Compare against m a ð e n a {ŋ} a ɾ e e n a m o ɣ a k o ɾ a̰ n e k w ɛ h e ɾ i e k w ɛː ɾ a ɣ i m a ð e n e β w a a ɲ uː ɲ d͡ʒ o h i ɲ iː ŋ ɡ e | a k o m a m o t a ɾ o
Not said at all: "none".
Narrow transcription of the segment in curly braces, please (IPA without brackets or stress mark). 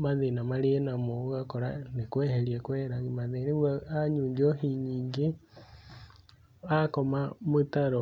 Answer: m